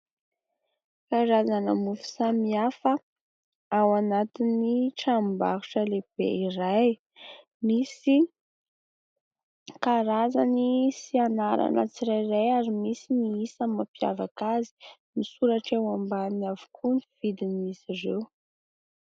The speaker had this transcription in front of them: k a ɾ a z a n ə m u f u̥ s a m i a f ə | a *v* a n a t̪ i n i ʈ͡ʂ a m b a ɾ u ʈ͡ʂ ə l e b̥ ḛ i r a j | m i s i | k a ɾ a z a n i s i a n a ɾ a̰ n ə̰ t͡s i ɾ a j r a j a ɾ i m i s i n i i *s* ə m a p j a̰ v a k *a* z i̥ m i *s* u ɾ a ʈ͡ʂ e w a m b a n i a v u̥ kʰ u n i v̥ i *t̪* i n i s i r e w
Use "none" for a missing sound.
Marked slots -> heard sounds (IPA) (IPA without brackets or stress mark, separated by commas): w, s, a, s, d̪